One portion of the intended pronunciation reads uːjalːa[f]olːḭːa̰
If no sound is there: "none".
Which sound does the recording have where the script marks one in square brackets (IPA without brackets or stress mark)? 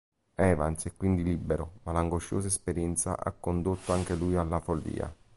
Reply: f